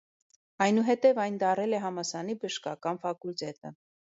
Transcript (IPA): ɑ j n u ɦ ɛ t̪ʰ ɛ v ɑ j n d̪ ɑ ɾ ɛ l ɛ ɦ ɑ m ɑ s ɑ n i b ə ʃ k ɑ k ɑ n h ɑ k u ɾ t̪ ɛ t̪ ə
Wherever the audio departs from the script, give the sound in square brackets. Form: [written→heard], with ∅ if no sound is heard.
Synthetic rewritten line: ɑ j n u ɦ ɛ [t̪ʰ→t̪] ɛ v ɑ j n d̪ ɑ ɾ ɛ l ɛ ɦ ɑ m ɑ s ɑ n i b ə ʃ k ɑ k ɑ n [h→f] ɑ k u [ɾ→l] t̪ ɛ t̪ ə